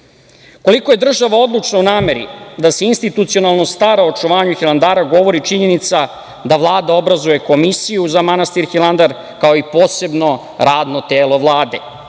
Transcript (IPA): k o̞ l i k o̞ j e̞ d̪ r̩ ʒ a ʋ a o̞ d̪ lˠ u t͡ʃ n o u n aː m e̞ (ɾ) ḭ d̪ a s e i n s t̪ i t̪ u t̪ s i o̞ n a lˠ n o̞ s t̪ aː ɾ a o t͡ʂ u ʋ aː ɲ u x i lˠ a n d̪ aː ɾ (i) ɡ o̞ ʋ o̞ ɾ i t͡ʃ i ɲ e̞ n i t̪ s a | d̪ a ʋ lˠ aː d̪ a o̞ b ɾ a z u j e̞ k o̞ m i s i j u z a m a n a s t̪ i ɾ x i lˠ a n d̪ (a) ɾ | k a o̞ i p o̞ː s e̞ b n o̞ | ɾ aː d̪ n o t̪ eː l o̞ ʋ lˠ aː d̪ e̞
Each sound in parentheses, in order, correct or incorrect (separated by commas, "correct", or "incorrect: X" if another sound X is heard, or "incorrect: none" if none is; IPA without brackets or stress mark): correct, incorrect: a, correct